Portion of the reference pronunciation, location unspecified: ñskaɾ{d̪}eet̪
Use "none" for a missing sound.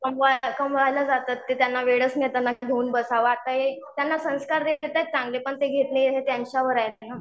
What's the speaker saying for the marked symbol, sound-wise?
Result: d̪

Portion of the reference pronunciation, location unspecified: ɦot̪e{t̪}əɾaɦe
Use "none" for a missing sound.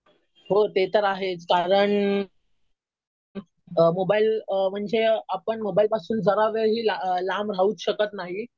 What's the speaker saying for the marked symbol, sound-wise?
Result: t̪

